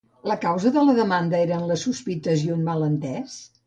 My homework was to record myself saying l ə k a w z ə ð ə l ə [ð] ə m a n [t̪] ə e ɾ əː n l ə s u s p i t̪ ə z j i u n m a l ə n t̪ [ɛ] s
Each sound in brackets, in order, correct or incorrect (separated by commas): correct, incorrect, correct